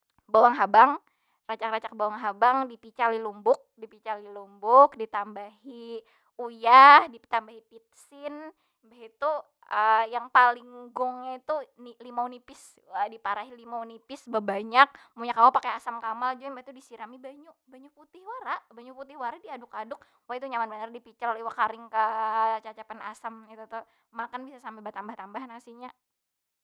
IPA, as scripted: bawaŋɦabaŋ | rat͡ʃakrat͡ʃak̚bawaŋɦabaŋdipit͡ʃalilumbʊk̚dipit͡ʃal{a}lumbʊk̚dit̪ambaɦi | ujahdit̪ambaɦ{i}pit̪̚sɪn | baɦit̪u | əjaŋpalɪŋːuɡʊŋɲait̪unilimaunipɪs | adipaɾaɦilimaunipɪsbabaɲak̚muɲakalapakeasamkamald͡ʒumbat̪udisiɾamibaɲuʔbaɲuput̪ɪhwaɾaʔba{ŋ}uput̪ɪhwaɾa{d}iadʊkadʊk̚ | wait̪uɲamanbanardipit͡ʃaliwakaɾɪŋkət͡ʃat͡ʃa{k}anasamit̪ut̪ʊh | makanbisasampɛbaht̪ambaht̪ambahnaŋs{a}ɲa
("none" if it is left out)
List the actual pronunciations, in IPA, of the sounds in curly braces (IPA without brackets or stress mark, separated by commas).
i, i, ɲ, d, p, i